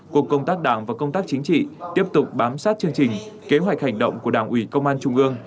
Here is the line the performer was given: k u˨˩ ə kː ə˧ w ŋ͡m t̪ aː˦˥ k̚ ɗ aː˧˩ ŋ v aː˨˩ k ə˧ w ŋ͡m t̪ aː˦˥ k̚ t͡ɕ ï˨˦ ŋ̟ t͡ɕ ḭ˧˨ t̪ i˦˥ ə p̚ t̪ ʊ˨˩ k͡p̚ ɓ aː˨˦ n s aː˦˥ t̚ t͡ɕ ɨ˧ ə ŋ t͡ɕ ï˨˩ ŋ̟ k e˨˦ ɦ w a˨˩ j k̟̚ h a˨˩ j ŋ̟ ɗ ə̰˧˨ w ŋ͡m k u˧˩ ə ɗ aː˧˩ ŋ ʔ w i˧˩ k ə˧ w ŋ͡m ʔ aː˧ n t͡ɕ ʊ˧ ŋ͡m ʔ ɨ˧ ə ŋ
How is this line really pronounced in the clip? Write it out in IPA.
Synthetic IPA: k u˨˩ ə kː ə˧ w ŋ͡m t̪ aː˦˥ k̚ ɗ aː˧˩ ŋ v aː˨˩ k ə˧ w ŋ͡m t̪ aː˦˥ k̚ t͡ɕ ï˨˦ ŋ̟ t͡ɕ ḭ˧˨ t̪ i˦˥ ə p̚ t̪ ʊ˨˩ k͡p̚ ɓ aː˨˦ m s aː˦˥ t̚ t͡ɕ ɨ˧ ə ŋ t͡ɕ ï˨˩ ŋ̟ k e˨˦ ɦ w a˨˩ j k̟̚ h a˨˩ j ŋ̟ ɗ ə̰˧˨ w ŋ͡m k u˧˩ ə ɗ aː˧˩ ŋ ʔ w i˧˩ k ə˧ w ŋ͡m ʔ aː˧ n t͡ɕ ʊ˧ ŋ͡m ʔ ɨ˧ ə ŋ